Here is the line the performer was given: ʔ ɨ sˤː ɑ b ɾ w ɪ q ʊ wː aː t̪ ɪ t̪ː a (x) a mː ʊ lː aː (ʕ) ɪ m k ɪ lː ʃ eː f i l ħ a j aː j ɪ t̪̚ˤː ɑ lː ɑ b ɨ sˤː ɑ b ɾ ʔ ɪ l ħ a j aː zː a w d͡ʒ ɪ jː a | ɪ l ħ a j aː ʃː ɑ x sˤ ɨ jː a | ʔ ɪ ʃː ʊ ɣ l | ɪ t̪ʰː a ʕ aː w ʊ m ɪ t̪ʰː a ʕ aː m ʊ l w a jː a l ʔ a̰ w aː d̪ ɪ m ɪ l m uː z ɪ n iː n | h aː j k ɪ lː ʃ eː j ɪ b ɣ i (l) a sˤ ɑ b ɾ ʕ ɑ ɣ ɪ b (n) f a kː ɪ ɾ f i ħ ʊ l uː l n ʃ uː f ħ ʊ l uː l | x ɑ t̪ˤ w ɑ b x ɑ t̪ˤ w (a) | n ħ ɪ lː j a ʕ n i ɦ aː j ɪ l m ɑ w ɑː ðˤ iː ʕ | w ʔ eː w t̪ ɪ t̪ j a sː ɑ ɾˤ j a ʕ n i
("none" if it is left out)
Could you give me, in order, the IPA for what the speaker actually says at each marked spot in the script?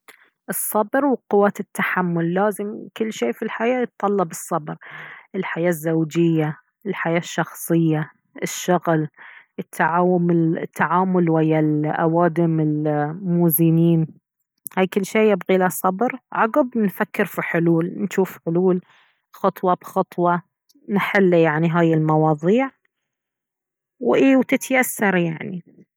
ħ, z, l, n, ɑ

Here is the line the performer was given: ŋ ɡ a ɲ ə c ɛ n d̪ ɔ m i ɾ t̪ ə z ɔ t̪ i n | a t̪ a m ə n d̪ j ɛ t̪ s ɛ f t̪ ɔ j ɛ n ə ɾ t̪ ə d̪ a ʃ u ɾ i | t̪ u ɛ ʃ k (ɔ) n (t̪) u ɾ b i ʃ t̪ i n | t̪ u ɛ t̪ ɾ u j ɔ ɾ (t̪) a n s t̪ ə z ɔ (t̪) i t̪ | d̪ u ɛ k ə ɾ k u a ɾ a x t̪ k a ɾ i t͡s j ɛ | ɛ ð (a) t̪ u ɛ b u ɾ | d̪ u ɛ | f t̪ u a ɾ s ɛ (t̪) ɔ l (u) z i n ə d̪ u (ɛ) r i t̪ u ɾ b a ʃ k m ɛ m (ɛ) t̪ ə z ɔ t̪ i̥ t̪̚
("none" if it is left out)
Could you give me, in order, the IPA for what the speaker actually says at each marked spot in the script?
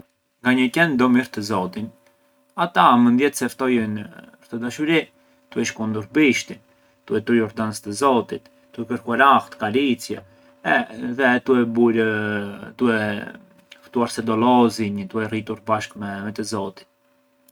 u, d̪, d̪, t̪, ɛ, d̪, ɔ, ɛ, ɛ

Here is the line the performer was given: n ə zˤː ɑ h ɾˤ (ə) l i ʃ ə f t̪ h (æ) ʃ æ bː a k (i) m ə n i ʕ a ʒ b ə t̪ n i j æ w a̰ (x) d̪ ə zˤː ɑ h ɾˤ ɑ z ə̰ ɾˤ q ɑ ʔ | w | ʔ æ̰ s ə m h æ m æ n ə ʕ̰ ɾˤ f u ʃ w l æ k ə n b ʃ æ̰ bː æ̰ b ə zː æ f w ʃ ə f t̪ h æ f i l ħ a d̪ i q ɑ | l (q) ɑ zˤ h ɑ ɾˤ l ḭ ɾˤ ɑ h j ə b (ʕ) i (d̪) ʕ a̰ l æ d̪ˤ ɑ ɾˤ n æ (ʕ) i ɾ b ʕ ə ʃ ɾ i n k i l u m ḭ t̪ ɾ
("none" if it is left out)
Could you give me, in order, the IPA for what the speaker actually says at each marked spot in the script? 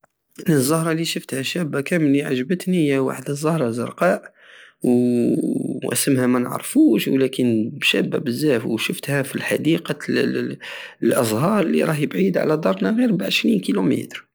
ɑ, æ, æ, ħ, ʔ, ʕ, d̪, ɣ

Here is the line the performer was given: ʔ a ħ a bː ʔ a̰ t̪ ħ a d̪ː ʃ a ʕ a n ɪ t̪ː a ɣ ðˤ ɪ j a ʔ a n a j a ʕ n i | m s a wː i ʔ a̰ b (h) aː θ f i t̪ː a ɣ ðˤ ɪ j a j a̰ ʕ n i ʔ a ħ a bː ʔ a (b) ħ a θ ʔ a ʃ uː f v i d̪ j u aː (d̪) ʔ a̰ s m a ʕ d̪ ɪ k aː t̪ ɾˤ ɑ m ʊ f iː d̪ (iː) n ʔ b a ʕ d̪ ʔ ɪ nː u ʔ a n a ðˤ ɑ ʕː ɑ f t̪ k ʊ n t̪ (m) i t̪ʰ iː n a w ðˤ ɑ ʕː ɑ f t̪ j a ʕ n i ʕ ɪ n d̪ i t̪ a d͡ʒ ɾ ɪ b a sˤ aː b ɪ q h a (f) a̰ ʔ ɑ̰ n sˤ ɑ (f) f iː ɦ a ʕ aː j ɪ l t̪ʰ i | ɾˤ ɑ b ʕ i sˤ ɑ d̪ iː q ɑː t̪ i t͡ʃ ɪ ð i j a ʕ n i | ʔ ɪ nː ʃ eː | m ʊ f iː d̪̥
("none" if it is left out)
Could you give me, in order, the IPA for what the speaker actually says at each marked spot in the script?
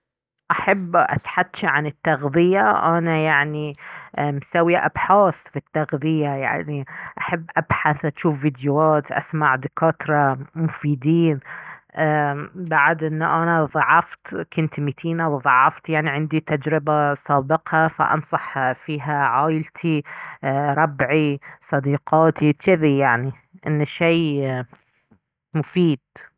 ħ, b, t̪, iː, m, f, ħ

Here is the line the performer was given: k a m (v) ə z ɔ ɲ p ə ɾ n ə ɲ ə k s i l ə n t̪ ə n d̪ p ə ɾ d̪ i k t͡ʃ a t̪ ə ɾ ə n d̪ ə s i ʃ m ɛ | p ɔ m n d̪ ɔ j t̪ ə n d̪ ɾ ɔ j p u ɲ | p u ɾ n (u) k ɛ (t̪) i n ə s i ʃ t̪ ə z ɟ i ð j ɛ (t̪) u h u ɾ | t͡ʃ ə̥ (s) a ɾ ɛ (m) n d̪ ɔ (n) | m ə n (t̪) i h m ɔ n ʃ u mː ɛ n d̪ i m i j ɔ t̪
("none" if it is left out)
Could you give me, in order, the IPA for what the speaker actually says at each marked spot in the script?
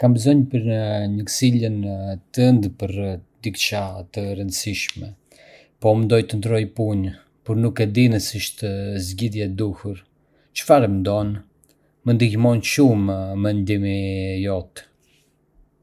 b, u, d̪, d̪, f, m, n, d̪

